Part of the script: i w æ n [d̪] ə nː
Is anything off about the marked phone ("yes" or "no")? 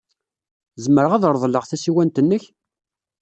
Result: yes